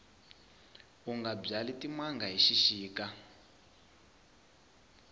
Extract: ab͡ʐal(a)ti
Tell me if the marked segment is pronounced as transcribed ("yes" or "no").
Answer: no